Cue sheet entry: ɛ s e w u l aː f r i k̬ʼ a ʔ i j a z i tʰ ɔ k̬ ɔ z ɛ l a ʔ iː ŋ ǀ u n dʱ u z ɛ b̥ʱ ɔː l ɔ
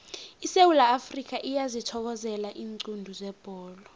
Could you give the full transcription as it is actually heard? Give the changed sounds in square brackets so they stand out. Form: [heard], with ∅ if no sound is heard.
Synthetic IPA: [i] s e w u l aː f r i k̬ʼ a ʔ i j a z i tʰ ɔ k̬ ɔ z ɛ l a ʔ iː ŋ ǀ u n dʱ u z ɛ b̥ʱ ɔː l ɔ